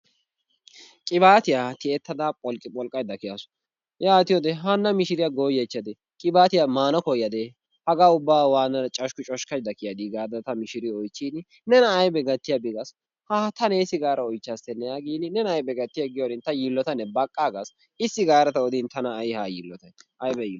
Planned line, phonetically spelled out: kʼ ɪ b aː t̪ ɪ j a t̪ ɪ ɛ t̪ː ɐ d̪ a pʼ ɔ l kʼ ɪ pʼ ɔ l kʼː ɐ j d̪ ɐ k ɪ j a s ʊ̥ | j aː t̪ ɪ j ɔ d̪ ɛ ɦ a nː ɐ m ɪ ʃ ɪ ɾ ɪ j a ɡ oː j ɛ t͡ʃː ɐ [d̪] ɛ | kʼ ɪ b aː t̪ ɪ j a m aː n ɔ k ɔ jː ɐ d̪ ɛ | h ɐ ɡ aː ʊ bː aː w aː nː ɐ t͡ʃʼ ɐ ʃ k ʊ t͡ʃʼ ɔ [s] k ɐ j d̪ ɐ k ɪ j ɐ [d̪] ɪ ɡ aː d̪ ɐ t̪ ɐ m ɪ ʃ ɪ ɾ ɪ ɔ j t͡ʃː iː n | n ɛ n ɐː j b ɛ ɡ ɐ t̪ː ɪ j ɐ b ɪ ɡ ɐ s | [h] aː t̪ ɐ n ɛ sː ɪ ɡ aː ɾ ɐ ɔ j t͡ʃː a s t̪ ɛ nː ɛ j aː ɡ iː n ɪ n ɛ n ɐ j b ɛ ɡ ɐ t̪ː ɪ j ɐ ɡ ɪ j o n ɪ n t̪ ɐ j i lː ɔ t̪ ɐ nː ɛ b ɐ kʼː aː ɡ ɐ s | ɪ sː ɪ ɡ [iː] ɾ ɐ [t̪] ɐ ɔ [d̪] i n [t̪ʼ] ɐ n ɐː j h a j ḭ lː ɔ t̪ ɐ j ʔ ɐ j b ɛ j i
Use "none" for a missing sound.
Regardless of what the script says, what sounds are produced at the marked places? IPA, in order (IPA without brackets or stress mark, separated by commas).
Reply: d̪, ʃ, d̪, h, aː, t̪, d̪, t̪